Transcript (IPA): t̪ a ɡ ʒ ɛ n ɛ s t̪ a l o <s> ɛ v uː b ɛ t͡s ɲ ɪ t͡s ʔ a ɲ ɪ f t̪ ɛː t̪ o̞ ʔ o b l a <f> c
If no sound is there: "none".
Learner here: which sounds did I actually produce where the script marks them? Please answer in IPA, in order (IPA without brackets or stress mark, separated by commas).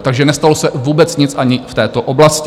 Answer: s, s